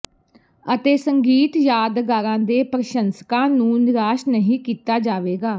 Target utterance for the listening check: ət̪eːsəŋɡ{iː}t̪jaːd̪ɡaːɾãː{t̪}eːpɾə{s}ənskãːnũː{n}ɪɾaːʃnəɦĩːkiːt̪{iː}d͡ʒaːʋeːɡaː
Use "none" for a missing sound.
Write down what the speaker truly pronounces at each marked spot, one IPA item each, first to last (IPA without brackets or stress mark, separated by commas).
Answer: iː, d̪, ʃ, n, aː